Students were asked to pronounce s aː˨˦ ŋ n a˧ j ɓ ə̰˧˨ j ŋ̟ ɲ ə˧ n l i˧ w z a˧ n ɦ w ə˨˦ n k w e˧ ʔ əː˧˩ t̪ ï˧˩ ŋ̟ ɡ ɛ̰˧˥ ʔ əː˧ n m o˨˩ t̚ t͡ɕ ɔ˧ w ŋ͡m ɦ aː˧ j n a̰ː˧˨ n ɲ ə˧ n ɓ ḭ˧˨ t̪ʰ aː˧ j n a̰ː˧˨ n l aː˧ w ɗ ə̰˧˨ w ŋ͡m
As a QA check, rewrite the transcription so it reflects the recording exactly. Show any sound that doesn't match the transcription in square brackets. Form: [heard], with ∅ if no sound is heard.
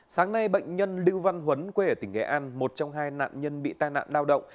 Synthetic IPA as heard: s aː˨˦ ŋ n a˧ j ɓ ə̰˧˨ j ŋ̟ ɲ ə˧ n l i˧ w [v] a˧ n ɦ w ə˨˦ n k w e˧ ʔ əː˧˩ t̪ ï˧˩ ŋ̟ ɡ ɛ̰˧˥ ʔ [aː˧] n m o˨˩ t̚ t͡ɕ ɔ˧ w ŋ͡m ɦ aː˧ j n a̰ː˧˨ n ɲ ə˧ n ɓ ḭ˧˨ [t̪] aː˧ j n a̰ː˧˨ n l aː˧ w ɗ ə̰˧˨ w ŋ͡m